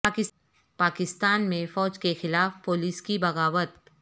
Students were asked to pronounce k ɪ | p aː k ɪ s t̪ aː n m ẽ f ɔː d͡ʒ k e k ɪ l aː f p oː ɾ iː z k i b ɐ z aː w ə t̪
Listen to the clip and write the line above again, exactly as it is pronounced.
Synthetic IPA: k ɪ | p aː k ɪ s t̪ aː n m ẽ f ɔː d͡ʒ k e x ɪ l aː f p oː l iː s k i b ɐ ɣ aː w ə t̪